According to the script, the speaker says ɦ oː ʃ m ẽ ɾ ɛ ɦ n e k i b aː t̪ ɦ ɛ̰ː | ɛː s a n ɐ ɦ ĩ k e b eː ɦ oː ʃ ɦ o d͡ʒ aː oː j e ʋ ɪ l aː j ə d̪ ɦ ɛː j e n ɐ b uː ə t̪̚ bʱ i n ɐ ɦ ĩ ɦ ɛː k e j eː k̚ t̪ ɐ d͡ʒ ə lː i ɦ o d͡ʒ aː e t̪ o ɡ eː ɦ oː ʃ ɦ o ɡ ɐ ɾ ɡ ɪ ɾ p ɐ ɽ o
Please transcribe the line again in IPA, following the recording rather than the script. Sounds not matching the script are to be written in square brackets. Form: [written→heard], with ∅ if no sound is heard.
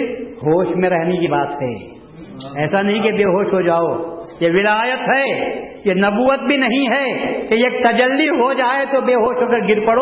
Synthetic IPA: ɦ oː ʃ m ẽ ɾ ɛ ɦ n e k i b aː t̪ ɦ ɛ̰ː | ɛː s a n ɐ ɦ ĩ k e b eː ɦ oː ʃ ɦ o d͡ʒ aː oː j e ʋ ɪ l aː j ə [d̪→t̪] ɦ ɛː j e n ɐ b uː ə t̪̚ bʱ i n ɐ ɦ ĩ ɦ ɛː k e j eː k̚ t̪ ɐ d͡ʒ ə lː i ɦ o d͡ʒ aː e t̪ o [ɡ→b] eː ɦ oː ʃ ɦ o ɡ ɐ ɾ ɡ ɪ ɾ p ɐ ɽ o